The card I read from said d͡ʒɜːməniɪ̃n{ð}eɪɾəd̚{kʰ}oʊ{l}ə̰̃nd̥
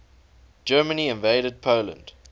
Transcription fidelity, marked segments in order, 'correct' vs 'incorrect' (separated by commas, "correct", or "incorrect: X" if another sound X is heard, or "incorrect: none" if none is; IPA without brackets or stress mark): incorrect: v, incorrect: pʰ, correct